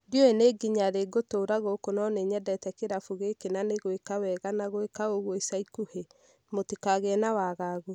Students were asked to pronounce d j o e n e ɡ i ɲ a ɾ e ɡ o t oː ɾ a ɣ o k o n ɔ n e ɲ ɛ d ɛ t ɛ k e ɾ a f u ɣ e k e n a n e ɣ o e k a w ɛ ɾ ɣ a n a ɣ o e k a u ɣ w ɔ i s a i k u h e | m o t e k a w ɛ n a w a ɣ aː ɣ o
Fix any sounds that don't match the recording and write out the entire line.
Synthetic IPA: d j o e n e ɡ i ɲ a ɾ e ɡ o t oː ɾ a ɣ o k o n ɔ n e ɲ ɛ d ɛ t ɛ k e ɾ a f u ɣ e k e n a n e ɣ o e k a w ɛ ɣ a n a ɣ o e k a o ɣ w ɔ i s a i k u h e | m o t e k a ɣ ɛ n a w a ɣ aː ɣ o

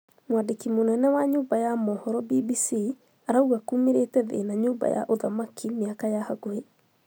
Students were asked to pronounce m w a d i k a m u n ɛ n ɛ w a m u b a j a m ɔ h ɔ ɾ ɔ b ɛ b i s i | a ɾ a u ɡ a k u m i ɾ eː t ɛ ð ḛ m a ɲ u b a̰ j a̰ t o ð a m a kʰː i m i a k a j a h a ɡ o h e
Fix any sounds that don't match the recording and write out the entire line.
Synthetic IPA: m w a d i k i m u n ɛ n ɛ w a ɲ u b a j a m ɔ h ɔ ɾ ɔ b i b i s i | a ɾ a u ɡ a k u m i ɾ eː t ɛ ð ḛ n a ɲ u b a̰ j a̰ ʔ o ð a m a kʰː i m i a k a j a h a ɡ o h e

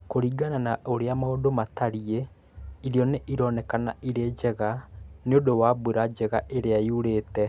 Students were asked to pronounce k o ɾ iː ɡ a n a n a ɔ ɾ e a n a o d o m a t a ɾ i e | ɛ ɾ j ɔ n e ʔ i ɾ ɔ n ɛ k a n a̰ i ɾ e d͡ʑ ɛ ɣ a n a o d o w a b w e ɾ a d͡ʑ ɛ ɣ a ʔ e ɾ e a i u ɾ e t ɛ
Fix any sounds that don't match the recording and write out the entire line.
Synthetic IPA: k o ɾ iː ɡ a n a n a o ɾ e a m a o d o m a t a ɾ i e | i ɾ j ɔ n e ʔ i ɾ ɔ n ɛ k a n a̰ i ɾ e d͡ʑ ɛ ɣ a n e o d o w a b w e ɾ a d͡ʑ ɛ ɣ a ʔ e ɾ e a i u ɾ e t ɛ

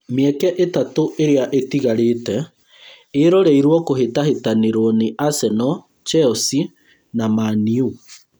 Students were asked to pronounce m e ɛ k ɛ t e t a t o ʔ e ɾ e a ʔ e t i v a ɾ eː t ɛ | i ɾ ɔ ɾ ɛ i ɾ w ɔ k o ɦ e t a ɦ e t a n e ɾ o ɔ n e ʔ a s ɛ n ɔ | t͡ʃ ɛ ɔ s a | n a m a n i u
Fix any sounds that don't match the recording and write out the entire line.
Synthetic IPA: m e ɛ k ɛ ʔ e t a t o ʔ e ɾ e a ʔ e t i ɣ a ɾ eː t ɛ | e ɾ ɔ ɾ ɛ i ɾ w ɔ k o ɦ e t a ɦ e t a n e ɾ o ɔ n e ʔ a s ɛ n ɔ | t͡ʃ ɛ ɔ s i | n a m a n i u

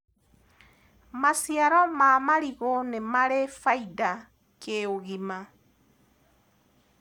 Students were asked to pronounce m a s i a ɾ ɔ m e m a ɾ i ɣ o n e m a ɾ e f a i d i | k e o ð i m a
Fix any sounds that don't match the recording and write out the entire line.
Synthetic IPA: m a s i a ɾ ɔ m a m a ɾ i ɣ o n e m a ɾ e f a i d a | k e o ɣ i m a

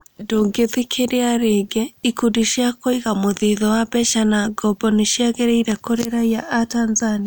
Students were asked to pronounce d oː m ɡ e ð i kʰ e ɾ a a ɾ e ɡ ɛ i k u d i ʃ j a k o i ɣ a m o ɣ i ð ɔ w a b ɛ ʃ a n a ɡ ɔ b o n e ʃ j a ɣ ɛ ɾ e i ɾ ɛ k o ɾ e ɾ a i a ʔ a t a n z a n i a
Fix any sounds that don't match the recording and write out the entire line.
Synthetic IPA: d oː ŋ ɡ e ð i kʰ e ɾ e a ɾ e ɡ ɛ i k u d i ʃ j a k o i ɣ a m o ð i ð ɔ w a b ɛ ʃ a n a ɡ ɔ b ɔ n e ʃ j a ɣ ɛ ɾ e i ɾ ɛ k o ɾ e ɾ a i a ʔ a t a n z a n i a

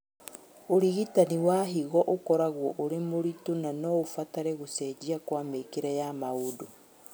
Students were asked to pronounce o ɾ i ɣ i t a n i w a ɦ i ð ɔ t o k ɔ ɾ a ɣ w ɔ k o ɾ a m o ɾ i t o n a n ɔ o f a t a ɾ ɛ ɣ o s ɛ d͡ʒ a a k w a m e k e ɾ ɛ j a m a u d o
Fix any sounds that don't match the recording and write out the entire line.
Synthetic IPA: o ɾ i ɣ i t a n i w a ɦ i ɣ ɔ ʔ o k ɔ ɾ a ɣ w ɔ ʔ o ɾ e m o ɾ i t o n a n ɔ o f a t a ɾ ɛ ɣ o s ɛ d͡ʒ i a k w a m e k e ɾ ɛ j a m a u d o

